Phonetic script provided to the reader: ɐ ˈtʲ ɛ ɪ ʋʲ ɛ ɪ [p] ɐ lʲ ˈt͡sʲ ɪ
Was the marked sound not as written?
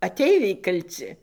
yes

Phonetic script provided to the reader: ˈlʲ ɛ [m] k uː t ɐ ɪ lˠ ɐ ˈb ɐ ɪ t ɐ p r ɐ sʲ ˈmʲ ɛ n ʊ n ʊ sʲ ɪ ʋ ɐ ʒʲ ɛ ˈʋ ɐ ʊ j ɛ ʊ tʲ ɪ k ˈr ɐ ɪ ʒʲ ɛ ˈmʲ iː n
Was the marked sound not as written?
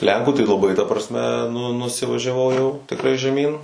yes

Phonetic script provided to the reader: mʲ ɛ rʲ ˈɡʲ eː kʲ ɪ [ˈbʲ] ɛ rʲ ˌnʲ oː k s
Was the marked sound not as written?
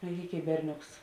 no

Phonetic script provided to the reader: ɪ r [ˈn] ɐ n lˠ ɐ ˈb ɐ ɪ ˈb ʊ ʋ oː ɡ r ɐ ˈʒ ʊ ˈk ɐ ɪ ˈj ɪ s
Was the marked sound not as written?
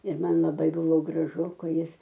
yes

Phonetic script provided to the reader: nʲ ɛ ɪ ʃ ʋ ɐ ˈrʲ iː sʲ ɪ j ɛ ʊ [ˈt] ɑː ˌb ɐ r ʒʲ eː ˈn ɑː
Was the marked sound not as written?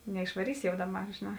yes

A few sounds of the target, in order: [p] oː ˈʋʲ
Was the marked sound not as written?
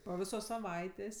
no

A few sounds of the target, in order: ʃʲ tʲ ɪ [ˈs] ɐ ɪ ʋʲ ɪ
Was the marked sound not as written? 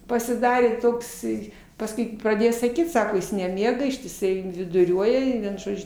no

